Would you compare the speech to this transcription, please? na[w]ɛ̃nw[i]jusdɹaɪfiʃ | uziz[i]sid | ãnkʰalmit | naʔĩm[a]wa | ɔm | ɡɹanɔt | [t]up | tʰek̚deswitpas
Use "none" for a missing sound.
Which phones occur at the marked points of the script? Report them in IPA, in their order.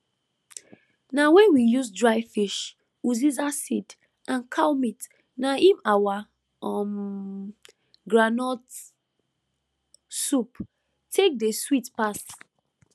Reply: w, i, a, a, s

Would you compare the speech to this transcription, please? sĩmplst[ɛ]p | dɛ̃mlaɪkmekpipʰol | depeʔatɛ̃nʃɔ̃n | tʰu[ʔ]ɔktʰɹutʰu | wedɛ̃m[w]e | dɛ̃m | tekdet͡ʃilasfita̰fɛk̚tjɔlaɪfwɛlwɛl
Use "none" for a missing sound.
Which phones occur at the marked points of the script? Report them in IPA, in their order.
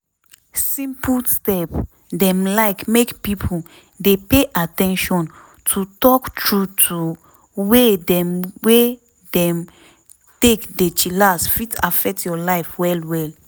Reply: ɛ, t, w

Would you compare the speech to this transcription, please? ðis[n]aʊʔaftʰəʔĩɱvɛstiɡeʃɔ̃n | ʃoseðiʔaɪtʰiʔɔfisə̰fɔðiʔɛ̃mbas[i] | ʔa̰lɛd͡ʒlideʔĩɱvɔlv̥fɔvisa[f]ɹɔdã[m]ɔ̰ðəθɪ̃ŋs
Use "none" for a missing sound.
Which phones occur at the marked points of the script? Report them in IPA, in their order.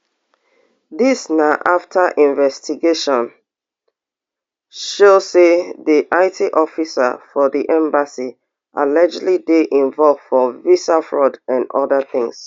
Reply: n, i, f, n

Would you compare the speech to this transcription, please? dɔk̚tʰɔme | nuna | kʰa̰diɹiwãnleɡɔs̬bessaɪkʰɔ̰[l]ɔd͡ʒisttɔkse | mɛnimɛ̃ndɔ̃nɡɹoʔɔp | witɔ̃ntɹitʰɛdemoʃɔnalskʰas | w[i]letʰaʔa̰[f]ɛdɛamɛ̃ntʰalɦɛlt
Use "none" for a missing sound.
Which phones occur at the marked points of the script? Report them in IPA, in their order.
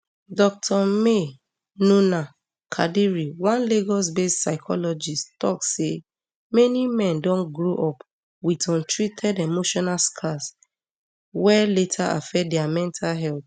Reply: l, ɛ, f

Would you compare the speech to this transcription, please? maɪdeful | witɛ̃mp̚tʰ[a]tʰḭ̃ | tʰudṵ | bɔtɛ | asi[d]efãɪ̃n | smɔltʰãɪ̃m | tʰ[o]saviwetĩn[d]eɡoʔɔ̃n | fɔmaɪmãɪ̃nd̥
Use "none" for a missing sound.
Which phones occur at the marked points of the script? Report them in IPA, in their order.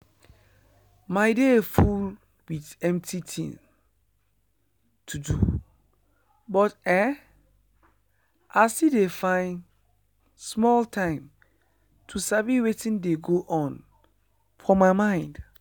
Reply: i, d, u, d

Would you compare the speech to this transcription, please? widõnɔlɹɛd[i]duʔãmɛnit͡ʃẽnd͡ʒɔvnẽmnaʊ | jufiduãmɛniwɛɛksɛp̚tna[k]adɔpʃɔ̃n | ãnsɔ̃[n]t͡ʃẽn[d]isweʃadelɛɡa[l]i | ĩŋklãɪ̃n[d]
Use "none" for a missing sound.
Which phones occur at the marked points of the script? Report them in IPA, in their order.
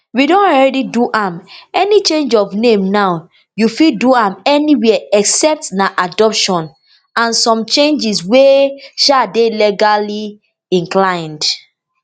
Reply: i, ʔ, m, d͡ʒ, l, d

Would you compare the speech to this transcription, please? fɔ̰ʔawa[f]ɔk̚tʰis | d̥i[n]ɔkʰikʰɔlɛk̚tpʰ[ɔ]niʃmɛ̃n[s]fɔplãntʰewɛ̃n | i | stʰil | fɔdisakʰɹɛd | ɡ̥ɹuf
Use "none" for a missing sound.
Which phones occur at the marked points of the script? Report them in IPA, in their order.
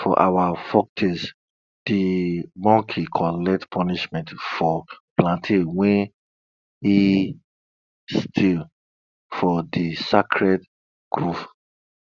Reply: f, m, ɔ, t

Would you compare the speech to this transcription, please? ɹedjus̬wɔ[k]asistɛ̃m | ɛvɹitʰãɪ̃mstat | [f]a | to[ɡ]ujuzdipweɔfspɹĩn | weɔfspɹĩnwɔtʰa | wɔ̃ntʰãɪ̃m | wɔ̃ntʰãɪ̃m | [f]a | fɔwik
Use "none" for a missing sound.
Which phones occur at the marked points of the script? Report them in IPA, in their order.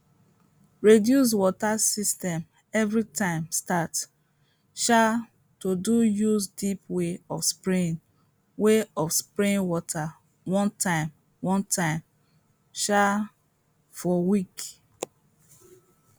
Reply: t, ʃ, d, ʃ

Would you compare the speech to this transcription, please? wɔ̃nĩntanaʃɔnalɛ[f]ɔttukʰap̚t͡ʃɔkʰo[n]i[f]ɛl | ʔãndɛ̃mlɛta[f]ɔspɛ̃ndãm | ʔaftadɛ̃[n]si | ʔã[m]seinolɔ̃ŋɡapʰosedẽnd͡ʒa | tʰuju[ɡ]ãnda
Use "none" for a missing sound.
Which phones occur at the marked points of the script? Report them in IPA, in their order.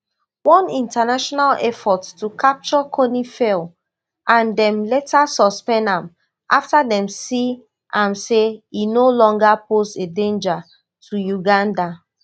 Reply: f, n, f, s, m, m, ɡ

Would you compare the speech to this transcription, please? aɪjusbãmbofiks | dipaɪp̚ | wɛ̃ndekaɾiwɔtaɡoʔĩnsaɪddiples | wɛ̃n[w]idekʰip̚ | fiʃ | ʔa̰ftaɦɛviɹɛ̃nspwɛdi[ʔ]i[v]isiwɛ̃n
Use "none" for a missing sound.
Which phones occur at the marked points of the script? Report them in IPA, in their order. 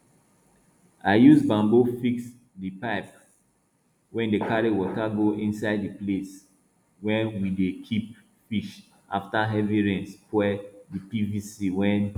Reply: w, p, v

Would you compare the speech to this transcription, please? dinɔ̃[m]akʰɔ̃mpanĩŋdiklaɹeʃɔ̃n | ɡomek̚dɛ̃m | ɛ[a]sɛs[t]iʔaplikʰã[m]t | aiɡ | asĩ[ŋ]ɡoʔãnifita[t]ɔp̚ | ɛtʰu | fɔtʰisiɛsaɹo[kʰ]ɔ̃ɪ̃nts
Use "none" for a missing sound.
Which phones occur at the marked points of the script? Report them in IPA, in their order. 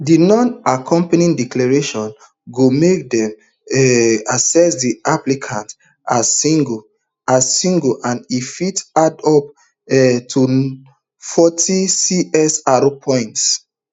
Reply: n, a, d, n, ŋ, d, pʰ

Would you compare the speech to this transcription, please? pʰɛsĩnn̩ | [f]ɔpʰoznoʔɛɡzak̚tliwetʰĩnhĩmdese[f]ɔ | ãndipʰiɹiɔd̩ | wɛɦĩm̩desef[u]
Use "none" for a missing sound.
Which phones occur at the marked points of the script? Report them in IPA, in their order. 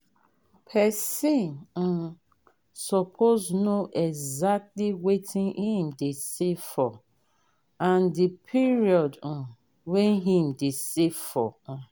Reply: s, f, ɔ

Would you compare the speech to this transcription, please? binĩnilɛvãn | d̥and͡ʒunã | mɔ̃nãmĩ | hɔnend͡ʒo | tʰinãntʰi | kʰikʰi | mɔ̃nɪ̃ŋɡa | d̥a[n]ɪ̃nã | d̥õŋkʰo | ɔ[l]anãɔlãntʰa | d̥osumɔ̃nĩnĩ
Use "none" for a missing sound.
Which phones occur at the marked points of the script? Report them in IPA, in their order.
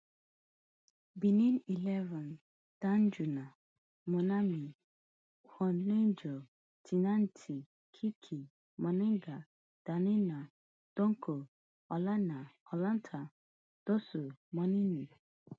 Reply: n, l

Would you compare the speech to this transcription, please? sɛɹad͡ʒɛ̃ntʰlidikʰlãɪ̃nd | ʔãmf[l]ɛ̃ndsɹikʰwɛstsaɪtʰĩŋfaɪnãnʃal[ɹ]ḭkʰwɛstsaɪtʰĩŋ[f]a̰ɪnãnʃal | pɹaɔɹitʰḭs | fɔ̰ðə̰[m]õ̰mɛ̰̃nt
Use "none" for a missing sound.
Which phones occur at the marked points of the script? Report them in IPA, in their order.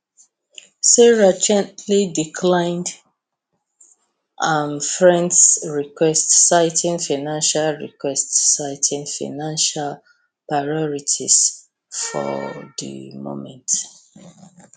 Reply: ɹ, ɹ, f, m

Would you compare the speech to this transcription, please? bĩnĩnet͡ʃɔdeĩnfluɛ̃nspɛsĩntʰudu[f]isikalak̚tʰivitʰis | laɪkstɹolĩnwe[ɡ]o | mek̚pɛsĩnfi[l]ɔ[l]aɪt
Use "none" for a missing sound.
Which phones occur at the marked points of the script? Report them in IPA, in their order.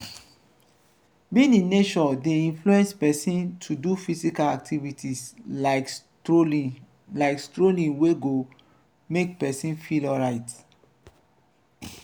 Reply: f, ɡ, l, ɹ

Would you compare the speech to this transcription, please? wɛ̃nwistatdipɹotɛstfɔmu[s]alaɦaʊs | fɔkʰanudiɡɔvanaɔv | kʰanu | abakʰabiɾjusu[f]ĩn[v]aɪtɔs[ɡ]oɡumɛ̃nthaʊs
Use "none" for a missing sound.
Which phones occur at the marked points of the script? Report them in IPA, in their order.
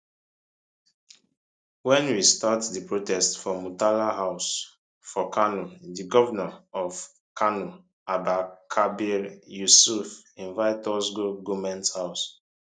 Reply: t, f, v, ɡ

